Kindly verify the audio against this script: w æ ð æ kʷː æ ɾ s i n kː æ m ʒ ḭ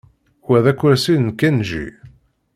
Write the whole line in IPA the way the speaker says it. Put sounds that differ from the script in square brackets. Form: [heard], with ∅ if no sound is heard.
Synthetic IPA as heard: w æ ð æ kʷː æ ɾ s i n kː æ [n] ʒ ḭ